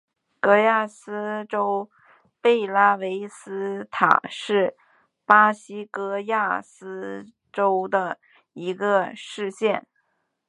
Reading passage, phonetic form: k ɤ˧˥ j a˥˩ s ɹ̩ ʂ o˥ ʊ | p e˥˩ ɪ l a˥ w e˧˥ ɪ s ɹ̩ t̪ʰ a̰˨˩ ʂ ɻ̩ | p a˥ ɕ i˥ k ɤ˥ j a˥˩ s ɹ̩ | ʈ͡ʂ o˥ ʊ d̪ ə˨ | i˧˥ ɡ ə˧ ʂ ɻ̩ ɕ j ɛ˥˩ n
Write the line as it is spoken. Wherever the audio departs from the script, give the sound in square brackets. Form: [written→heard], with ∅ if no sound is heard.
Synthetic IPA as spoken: k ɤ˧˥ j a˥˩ s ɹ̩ [ʂ→ʈ͡ʂ] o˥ ʊ | p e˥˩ ɪ l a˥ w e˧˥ ɪ s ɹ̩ t̪ʰ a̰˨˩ ʂ ɻ̩ | p a˥ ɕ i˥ k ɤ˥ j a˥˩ s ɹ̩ | ʈ͡ʂ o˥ ʊ d̪ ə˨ | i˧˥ ɡ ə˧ ʂ ɻ̩ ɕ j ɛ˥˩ n